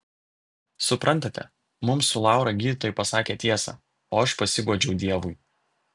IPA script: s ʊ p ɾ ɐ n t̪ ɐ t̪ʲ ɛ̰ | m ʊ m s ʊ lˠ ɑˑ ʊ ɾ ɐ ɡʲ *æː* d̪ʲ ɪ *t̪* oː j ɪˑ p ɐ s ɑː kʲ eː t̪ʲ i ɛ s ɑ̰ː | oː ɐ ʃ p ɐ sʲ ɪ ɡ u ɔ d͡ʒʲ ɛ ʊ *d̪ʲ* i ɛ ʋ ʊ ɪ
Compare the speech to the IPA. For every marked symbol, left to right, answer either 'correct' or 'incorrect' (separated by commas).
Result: incorrect, correct, correct